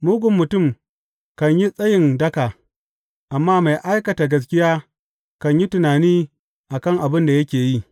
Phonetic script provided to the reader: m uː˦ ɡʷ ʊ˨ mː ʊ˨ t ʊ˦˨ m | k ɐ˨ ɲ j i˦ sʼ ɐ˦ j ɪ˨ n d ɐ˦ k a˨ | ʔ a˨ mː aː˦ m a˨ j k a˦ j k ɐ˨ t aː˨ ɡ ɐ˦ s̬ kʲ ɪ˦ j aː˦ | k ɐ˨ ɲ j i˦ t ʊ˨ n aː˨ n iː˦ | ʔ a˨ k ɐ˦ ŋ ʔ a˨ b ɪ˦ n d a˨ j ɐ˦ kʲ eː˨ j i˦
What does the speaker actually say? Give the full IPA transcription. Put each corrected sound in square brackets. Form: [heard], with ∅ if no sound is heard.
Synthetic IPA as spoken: m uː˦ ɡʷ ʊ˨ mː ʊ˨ t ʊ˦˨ m | k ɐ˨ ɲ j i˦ sʼ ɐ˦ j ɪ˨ n d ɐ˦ k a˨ | ʔ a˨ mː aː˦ m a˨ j [ʔ] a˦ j k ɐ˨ t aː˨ ɡ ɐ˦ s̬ kʲ ɪ˦ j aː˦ | k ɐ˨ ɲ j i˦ t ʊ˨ n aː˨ n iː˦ | ʔ a˨ k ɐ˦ ŋ ʔ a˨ b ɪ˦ n d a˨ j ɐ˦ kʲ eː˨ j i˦